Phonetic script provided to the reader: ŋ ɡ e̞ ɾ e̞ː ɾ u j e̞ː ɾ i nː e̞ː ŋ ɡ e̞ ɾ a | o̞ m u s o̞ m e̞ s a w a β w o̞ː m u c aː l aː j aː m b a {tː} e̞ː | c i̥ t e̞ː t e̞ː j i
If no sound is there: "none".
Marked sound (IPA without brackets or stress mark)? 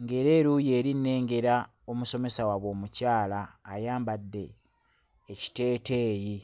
dː